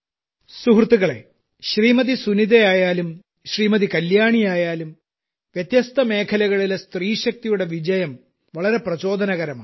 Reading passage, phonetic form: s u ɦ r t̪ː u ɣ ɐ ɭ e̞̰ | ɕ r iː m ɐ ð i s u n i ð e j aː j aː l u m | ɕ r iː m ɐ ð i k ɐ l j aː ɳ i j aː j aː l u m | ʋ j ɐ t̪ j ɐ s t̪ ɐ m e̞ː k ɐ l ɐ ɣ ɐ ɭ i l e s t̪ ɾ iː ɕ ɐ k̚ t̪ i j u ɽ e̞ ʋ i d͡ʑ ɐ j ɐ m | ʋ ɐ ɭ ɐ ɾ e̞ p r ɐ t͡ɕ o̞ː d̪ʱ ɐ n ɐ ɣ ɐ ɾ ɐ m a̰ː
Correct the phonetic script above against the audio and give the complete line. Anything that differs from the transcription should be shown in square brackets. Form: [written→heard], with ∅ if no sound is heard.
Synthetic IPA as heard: s u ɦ r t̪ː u ɣ ɐ ɭ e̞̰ | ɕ r iː m ɐ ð i s u n i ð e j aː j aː l u m | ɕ r iː m ɐ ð i k ɐ l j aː ɳ i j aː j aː l u m | ʋ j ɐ t̪ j ɐ s t̪ ɐ m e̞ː [k→kʰ] ɐ l ɐ ɣ ɐ ɭ i l e s t̪ [ɾ→r] iː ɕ ɐ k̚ t̪ i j u ɽ e̞ ʋ i d͡ʑ ɐ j ɐ m | ʋ ɐ ɭ ɐ ɾ e̞ p r ɐ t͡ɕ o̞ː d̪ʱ ɐ n ɐ ɣ ɐ ɾ ɐ m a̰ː